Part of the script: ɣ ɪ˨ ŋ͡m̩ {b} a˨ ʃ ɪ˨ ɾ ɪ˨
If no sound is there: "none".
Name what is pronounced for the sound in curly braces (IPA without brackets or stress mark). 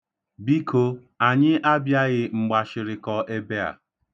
ɡ͡b